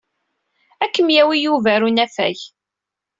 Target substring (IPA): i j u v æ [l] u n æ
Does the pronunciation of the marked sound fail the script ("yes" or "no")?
yes